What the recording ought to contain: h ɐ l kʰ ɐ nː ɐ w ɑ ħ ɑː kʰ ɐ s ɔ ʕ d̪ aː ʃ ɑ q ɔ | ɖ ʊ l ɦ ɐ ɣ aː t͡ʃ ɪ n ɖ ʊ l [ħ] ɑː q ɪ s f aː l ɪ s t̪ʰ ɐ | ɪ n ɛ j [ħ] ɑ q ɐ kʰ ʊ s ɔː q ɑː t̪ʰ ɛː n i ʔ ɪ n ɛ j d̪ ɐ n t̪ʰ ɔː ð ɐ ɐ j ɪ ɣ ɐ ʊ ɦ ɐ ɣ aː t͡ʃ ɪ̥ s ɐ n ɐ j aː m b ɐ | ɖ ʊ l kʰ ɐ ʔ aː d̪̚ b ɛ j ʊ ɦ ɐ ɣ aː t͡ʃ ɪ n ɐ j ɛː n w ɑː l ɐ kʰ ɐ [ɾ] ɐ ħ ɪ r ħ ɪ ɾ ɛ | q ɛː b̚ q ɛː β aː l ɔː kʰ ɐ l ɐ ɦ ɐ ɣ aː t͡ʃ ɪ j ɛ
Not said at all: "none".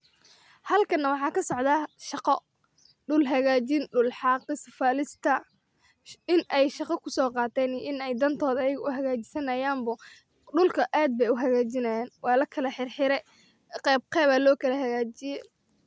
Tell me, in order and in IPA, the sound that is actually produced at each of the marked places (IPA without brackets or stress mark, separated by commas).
ħ, ʃ, l